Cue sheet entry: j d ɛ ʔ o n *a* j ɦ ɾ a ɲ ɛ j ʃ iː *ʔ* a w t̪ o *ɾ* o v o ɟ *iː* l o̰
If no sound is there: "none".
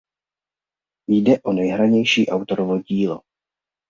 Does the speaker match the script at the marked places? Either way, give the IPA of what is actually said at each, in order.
ɛ, ʔ, ɾ, iː

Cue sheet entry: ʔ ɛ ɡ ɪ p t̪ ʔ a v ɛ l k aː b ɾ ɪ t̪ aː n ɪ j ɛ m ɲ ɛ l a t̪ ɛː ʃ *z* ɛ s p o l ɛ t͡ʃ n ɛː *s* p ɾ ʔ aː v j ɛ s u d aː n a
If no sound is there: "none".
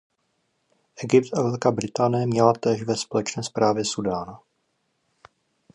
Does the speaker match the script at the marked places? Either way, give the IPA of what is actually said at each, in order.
v, s

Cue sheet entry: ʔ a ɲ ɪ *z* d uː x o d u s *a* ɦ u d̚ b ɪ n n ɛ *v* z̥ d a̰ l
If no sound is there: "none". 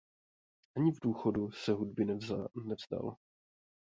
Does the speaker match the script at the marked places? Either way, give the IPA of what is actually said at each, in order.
v, ɛ, v

